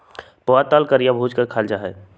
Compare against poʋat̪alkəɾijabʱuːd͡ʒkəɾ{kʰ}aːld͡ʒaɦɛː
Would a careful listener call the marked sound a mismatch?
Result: no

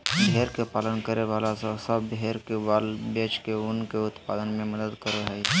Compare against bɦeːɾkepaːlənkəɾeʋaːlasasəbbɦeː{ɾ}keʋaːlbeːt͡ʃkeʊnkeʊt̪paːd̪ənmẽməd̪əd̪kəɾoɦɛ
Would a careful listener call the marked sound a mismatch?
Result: no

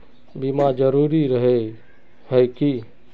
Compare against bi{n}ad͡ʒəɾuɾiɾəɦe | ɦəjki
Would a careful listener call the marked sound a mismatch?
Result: yes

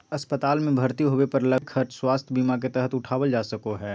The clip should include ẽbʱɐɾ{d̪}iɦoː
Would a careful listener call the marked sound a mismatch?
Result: yes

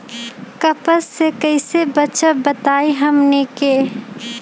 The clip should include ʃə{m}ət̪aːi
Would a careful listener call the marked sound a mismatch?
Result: yes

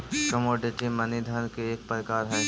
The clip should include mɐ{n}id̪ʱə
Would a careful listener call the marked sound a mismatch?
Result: no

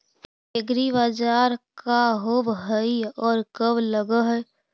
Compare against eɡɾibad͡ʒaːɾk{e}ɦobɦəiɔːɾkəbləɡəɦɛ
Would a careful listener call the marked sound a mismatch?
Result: yes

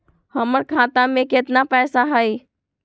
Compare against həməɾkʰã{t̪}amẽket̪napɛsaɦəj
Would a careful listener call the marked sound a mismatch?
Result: no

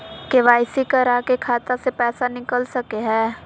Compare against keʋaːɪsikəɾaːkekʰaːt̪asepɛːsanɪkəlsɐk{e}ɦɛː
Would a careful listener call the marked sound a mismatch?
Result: no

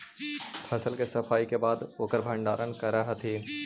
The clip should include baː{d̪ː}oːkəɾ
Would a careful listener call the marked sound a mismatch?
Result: yes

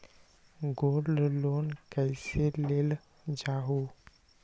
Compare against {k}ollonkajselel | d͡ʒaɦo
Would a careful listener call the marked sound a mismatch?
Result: yes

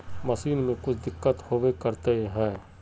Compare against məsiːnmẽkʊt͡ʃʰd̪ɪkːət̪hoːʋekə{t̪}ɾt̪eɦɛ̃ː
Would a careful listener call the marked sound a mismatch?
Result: yes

